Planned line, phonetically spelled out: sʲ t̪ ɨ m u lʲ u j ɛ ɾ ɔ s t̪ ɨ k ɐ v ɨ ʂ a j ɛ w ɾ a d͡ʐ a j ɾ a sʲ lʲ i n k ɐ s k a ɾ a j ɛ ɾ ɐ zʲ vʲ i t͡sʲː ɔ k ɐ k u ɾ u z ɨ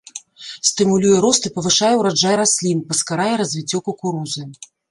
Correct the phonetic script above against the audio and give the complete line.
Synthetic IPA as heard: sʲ t̪ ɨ m u lʲ u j ɛ ɾ ɔ s t̪ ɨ p ɐ v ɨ ʂ a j ɛ w ɾ a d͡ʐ a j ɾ a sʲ lʲ i n p ɐ s k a ɾ a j ɛ ɾ ɐ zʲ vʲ i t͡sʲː ɔ k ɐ k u ɾ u z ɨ